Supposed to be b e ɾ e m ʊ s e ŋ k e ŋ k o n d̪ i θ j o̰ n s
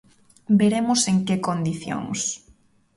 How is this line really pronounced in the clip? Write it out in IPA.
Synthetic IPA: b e ɾ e m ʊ s e ŋ k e k o n d̪ i θ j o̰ ŋ s

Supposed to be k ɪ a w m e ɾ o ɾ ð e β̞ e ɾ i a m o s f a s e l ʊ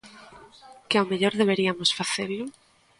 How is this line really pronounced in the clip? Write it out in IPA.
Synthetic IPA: k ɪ a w m e ʎ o ɾ ð e β̞ e ɾ i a m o s f a θ e l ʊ

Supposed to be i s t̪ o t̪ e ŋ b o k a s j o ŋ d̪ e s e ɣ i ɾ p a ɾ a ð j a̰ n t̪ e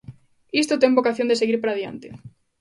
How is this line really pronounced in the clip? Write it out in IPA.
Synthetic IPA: i s t̪ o t̪ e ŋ b o k a θ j o n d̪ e s e ɣ i ɾ p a ɾ a ð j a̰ n t̪ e

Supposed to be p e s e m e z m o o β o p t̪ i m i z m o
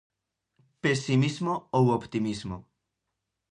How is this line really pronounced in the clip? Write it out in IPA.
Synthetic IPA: p e s i m i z m o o w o p t̪ i m i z m o

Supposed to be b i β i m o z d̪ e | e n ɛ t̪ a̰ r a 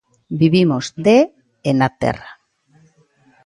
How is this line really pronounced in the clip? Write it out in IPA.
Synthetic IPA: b i β i m o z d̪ e | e n a t̪ ḛ r a

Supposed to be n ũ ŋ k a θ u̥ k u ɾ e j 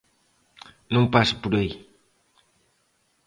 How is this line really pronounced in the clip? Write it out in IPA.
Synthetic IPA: n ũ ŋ p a s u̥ p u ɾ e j

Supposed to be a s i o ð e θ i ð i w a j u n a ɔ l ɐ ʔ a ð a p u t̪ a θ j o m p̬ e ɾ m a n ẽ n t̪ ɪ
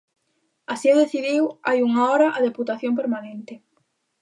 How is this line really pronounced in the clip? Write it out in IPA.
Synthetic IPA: a s i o ð e θ i ð i w a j u ŋ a ɔ ɾ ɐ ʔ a ð e p u t̪ a θ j o m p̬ e ɾ m a n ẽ n t̪ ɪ

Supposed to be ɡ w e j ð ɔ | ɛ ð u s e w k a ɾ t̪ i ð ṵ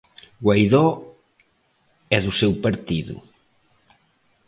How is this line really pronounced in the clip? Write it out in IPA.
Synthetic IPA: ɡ w a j ð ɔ | ɛ ð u s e w p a ɾ t̪ i ð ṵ

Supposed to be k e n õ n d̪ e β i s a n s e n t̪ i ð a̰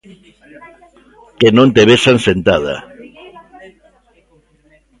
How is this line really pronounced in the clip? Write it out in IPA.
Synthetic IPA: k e n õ n t̪ e β e s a n s e n t̪ a ð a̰

